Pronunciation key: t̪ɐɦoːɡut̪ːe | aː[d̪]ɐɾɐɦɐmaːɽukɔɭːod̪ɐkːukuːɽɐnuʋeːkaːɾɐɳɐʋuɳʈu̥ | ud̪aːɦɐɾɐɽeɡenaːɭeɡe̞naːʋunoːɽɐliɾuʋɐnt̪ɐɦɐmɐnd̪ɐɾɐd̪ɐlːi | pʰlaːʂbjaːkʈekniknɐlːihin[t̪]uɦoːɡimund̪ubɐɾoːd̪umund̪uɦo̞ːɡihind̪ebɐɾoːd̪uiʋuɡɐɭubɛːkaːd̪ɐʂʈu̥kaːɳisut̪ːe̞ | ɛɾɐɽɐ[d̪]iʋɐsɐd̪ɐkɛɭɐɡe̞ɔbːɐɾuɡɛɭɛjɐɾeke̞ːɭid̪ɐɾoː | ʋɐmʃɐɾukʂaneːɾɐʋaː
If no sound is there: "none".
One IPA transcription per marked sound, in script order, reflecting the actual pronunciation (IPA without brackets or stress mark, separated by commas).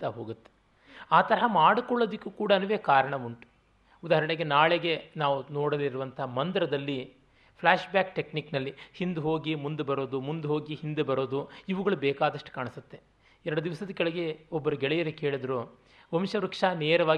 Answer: t̪, d̪, d̪